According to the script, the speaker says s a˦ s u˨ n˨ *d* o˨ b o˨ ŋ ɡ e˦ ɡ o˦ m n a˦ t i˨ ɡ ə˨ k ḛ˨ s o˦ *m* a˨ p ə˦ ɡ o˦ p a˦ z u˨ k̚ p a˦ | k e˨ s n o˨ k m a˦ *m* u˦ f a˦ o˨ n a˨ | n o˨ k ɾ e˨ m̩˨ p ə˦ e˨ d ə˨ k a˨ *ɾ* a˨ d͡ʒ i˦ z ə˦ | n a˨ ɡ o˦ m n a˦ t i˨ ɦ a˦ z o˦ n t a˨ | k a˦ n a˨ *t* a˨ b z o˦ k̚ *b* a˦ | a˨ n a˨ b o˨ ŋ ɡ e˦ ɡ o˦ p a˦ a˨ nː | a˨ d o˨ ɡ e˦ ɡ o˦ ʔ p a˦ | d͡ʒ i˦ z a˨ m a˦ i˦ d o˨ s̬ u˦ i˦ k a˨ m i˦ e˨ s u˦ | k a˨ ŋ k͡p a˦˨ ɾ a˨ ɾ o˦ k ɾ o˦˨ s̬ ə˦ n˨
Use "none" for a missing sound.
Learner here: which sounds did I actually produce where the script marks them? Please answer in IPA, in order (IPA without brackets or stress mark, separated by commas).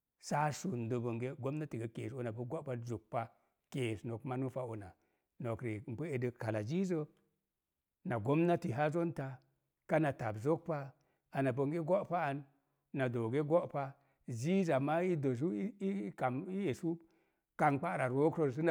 d, n, n, l, t, p